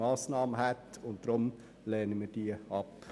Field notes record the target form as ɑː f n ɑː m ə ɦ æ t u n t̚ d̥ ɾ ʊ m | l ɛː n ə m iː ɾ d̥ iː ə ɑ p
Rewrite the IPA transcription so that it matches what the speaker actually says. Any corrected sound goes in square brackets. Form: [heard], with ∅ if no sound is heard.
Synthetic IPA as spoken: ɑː [s] n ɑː m ə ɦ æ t [ʊ] n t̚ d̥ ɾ ʊ m | l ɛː n ə m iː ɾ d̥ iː ə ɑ p